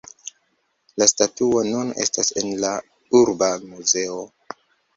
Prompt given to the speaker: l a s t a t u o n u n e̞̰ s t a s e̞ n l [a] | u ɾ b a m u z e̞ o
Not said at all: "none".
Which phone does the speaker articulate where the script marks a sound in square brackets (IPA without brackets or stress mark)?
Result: a